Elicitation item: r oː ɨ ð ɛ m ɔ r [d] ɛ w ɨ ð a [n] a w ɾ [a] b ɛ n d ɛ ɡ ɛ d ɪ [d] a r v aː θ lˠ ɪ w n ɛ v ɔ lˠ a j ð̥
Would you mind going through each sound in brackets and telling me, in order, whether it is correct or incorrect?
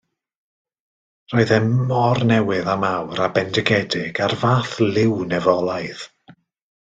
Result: incorrect, incorrect, correct, incorrect

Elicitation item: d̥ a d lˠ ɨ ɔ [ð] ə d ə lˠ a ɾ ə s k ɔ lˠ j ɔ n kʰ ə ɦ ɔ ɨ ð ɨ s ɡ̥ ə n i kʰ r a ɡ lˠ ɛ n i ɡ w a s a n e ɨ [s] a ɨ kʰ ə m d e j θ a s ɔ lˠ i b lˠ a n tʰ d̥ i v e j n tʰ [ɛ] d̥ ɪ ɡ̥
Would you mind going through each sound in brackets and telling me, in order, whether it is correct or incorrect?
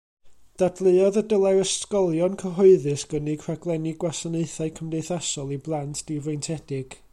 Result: correct, incorrect, correct

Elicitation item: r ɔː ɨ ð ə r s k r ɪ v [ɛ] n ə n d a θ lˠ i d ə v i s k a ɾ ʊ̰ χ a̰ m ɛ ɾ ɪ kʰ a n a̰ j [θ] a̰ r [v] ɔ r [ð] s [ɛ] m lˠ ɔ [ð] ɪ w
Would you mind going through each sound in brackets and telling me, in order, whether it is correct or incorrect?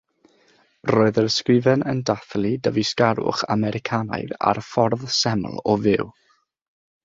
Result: correct, incorrect, incorrect, correct, correct, incorrect

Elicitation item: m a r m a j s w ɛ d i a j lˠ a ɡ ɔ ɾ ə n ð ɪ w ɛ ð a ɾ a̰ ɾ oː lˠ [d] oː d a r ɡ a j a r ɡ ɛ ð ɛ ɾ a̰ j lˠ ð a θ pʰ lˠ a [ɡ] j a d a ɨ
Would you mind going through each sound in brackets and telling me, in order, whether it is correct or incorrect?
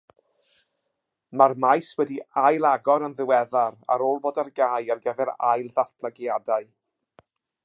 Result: incorrect, correct

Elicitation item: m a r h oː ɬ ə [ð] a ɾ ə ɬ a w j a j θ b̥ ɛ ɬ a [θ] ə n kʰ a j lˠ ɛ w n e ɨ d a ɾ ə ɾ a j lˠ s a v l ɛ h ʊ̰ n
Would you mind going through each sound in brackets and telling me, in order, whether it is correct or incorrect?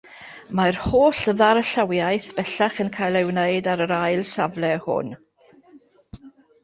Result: correct, incorrect

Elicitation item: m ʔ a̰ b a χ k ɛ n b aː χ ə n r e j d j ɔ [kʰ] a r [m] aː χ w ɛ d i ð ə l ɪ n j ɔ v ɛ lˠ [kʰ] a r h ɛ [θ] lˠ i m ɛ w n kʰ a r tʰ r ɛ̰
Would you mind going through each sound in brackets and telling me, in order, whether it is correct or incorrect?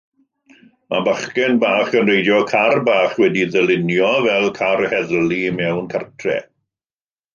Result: correct, incorrect, correct, incorrect

